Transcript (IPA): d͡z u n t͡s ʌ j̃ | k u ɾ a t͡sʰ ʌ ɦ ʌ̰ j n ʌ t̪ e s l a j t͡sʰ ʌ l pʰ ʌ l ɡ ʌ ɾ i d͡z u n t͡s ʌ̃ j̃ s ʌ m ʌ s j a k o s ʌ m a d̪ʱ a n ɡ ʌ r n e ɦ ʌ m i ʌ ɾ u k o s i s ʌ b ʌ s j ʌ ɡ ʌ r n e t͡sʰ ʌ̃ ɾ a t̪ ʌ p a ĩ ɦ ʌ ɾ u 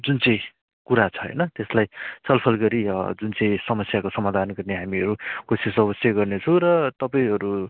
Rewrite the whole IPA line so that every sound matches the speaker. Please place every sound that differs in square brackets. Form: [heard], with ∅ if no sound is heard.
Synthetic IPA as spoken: d͡z u n t͡s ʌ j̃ | k u ɾ a t͡sʰ ʌ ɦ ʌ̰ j n ʌ t̪ e s l a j t͡sʰ ʌ l pʰ ʌ l ɡ ʌ ɾ i d͡z u n t͡s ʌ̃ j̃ s ʌ m ʌ s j a k o s ʌ m a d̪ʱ a n ɡ ʌ r n e ɦ [a] m i ʌ ɾ u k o s i s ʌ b ʌ s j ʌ ɡ ʌ r n e t͡sʰ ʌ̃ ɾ [ʌ] t̪ ʌ p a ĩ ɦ ʌ ɾ u